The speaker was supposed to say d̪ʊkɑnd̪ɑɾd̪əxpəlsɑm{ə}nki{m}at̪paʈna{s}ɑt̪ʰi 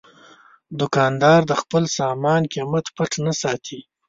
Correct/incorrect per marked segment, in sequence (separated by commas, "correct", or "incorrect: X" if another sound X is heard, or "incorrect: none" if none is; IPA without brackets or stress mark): incorrect: ɑ, correct, correct